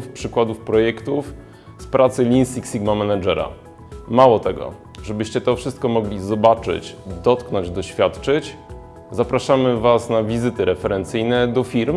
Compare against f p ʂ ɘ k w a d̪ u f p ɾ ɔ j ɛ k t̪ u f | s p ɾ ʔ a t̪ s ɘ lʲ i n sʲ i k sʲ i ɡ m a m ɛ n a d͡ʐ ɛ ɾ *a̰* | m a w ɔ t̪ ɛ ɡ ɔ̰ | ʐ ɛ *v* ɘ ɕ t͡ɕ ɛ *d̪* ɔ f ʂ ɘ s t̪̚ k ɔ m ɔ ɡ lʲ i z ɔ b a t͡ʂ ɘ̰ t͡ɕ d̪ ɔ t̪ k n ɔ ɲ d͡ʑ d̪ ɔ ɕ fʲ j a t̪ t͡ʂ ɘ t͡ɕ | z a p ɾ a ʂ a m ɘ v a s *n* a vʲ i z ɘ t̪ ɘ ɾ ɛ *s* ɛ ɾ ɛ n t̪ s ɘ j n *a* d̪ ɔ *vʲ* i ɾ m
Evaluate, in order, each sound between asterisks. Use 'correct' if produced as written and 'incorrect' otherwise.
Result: correct, incorrect, incorrect, correct, incorrect, incorrect, incorrect

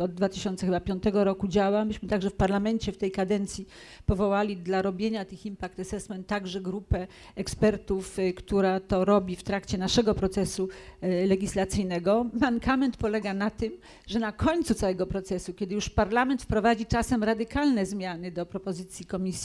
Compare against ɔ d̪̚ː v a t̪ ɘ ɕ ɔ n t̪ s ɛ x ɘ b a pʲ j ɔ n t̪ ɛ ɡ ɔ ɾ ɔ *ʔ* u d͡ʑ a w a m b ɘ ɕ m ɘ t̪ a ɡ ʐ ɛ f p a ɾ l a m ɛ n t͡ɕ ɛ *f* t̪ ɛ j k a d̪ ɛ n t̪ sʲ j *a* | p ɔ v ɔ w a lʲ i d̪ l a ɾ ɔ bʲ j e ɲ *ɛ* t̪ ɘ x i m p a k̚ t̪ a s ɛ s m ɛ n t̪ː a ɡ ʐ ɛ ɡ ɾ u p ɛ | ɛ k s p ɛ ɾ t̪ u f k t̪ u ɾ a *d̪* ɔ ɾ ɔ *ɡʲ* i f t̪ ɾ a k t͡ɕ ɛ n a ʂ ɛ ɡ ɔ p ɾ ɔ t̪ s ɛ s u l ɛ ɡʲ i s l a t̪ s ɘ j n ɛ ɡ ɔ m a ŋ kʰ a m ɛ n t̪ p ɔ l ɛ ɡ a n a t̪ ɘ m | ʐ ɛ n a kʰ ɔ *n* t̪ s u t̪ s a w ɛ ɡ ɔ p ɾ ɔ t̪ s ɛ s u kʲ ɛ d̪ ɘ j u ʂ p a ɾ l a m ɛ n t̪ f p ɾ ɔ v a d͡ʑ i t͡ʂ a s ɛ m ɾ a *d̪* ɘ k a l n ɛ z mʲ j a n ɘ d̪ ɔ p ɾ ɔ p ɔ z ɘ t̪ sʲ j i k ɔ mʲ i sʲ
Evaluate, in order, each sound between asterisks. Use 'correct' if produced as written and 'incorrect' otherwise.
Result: incorrect, correct, incorrect, incorrect, incorrect, incorrect, incorrect, correct

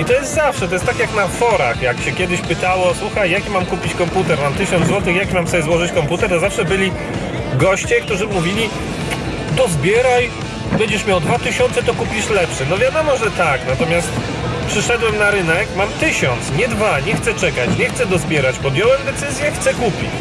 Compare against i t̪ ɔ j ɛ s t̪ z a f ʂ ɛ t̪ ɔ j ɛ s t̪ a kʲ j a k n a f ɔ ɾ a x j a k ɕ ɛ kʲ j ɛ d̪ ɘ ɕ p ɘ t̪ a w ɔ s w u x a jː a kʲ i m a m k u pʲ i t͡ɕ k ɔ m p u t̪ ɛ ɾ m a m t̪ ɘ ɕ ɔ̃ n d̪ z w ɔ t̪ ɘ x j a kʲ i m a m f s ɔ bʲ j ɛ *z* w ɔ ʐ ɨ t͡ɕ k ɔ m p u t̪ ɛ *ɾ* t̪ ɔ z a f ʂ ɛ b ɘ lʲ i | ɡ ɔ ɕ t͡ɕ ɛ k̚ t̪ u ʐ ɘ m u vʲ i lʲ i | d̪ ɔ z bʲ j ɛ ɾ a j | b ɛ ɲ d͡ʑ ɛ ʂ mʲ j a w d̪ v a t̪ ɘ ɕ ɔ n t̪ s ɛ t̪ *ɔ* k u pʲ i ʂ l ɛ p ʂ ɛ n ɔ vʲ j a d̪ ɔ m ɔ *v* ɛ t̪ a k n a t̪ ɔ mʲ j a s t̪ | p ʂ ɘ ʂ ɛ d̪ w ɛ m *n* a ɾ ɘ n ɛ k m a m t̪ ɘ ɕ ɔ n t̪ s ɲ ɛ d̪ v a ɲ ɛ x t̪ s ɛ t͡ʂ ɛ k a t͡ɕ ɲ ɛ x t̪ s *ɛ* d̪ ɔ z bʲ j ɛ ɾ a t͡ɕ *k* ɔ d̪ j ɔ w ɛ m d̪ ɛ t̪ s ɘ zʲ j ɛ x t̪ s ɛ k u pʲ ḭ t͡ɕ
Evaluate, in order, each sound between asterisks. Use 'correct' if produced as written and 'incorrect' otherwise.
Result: correct, correct, correct, incorrect, correct, correct, incorrect

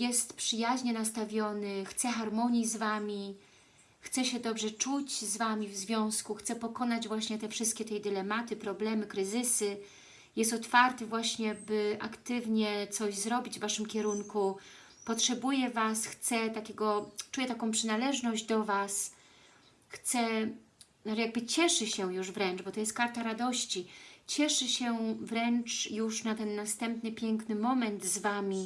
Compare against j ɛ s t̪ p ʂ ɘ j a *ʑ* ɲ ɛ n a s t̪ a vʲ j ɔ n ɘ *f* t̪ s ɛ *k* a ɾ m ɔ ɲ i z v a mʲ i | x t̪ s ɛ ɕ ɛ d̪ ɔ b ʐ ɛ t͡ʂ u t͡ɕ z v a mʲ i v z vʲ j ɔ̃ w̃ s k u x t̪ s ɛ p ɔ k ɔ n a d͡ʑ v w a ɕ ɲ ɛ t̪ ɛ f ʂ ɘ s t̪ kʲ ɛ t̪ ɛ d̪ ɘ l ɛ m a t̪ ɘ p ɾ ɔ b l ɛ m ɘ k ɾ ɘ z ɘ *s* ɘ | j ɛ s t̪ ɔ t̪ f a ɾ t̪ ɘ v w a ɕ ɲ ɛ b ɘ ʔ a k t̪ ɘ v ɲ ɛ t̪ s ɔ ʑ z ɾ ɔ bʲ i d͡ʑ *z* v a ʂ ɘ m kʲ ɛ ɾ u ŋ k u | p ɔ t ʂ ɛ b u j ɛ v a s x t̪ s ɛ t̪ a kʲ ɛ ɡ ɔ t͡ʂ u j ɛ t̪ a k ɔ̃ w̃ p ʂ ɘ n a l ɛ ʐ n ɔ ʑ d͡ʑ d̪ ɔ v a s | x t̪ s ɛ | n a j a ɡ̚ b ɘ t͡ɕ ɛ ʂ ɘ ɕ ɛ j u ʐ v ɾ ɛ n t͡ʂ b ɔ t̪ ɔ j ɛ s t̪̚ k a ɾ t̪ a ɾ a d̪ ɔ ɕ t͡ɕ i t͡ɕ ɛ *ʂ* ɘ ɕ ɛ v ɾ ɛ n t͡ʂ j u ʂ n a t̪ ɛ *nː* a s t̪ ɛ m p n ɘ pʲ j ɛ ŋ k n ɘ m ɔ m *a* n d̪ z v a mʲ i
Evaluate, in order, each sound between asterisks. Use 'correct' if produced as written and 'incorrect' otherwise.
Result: correct, incorrect, incorrect, correct, incorrect, correct, correct, incorrect

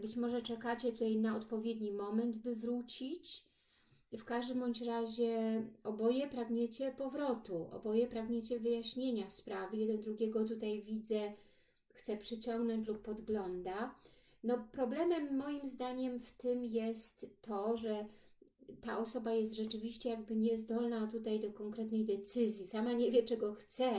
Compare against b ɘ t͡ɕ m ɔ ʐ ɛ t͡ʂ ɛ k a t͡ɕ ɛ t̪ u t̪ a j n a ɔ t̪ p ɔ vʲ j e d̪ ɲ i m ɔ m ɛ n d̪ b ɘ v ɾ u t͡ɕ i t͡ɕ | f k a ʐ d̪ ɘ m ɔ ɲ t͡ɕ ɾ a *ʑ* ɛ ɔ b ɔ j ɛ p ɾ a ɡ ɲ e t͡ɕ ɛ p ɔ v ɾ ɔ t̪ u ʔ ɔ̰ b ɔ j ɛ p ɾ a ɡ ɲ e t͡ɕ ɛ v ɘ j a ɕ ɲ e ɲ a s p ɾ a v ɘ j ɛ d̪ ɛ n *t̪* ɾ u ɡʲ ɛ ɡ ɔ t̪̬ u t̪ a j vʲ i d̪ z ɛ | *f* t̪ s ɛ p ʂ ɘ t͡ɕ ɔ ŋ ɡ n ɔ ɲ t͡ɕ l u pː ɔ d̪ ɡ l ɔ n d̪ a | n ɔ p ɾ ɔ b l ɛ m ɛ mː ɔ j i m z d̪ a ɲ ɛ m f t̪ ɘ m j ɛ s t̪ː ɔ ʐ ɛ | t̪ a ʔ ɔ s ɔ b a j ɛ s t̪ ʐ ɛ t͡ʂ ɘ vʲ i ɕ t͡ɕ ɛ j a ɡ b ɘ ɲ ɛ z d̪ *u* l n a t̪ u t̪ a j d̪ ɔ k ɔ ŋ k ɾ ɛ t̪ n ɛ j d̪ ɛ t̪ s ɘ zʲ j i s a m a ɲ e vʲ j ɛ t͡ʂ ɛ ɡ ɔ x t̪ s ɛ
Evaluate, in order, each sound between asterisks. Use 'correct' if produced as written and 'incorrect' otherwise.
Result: correct, incorrect, incorrect, incorrect

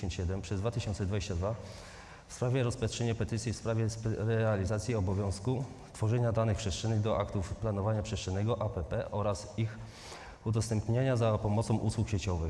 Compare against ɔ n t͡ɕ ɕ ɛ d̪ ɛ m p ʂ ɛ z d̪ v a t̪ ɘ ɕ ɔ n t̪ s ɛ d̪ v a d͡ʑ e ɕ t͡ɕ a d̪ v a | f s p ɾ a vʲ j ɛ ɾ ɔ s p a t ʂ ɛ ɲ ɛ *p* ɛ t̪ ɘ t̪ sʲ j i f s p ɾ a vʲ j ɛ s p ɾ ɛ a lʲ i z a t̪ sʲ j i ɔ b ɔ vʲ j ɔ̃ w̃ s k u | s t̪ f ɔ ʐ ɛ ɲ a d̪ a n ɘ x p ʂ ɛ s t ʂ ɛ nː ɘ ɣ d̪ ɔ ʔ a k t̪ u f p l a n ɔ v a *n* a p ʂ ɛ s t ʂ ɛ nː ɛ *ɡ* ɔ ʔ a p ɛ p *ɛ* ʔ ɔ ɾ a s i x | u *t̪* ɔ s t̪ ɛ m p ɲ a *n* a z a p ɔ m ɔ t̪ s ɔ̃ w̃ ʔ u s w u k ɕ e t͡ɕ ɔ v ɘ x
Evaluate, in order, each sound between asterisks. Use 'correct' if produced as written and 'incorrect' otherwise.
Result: correct, incorrect, correct, correct, incorrect, incorrect

